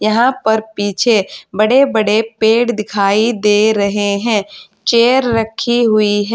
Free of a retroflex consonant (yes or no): no